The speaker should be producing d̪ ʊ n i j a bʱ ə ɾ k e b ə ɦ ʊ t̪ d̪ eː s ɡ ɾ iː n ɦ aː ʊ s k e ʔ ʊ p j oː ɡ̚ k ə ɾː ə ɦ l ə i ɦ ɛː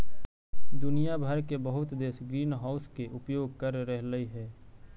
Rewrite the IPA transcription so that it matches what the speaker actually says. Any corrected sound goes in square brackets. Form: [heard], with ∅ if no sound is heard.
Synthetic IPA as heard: d̪ ʊ n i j a bʱ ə ɾ k e b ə ɦ ʊ t̪ d̪ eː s ɡ ɾ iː n ɦ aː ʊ s k e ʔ ʊ p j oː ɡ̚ k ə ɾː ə ɦ l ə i ɦ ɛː